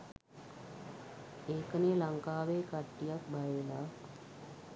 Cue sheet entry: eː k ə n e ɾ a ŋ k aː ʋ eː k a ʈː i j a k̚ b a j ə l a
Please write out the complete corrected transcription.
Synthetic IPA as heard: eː k ə n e l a ŋ k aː ʋ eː k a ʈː i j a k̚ b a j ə l a